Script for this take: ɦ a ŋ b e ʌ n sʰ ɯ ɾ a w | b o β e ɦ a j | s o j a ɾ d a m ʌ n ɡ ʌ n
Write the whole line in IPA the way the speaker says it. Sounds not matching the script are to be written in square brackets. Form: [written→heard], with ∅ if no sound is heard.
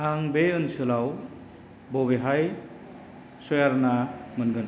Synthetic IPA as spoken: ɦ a ŋ b e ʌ n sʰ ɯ [ɾ→l] a w | b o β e ɦ a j | s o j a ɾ [d→n] a m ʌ n ɡ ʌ n